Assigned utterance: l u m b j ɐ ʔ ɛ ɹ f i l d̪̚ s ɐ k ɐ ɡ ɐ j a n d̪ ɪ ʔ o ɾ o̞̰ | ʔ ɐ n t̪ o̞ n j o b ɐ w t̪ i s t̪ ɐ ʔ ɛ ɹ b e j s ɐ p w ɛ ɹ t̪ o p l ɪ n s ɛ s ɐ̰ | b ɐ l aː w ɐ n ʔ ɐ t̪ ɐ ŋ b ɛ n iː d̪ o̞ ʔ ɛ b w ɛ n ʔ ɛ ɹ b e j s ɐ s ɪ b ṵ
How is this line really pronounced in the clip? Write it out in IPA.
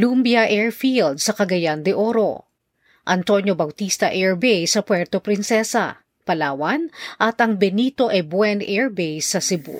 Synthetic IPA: l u m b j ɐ ʔ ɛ ɹ f i l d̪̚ s ɐ k ɐ ɡ ɐ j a n d̪ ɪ ʔ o ɾ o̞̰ | ʔ ɐ n t̪ o̞ n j o b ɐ w t̪ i s t̪ ɐ ʔ ɛ ɹ b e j s ɐ p w ɛ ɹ t̪ o p ɾ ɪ n s ɛ s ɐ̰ | p ɐ l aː w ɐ n ʔ ɐ t̪ ɐ ŋ b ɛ n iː t̪ o̞ ʔ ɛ b w ɛ n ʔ ɛ ɹ b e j s ɐ s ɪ b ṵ